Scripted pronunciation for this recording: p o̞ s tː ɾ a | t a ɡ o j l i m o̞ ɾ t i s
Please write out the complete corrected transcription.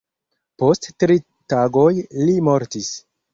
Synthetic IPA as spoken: p o̞ s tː ɾ i | t a ɡ o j l i m o̞ ɾ t i s